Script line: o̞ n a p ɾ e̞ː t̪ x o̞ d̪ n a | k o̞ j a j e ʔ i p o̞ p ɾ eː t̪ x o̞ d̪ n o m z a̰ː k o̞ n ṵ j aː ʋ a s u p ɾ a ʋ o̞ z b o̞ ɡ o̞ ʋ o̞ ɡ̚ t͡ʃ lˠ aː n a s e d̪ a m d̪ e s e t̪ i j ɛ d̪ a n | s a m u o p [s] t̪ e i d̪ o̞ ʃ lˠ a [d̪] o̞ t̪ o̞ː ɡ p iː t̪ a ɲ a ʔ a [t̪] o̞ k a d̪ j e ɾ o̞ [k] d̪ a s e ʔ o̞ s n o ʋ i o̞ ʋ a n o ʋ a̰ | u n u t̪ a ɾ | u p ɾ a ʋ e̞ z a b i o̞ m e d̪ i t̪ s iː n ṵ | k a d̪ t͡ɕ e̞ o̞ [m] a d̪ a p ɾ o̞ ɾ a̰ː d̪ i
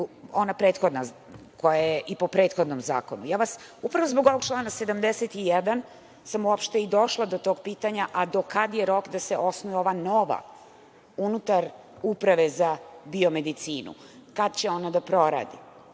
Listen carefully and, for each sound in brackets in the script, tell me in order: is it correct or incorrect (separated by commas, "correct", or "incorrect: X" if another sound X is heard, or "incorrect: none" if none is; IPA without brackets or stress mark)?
incorrect: ʃ, correct, incorrect: d̪, correct, incorrect: n